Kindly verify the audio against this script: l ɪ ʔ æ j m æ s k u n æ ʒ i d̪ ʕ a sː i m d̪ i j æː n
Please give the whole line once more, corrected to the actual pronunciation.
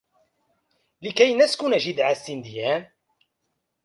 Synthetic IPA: l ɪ k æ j n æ s k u n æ ʒ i d̪ ʕ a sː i n d̪ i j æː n